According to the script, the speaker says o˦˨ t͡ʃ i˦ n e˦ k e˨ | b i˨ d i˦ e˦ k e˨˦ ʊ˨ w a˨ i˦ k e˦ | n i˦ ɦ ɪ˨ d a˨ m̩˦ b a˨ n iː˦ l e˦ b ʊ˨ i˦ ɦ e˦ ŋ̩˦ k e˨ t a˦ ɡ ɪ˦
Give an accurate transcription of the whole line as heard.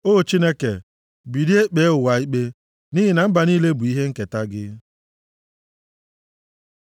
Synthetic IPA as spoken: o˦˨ t͡ʃ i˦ n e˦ k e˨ | b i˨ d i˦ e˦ k͡p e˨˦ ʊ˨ w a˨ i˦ k͡p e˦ | n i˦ ɦ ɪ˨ n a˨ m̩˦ b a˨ n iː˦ l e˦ b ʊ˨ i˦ ɦ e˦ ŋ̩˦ k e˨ t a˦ ɡ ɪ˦